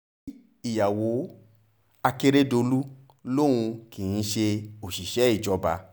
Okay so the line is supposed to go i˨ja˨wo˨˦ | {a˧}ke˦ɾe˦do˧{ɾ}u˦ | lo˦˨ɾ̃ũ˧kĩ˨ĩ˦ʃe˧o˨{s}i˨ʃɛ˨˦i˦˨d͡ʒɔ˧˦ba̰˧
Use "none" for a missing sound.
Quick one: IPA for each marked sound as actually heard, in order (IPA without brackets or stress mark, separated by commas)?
a˧, l, ʃ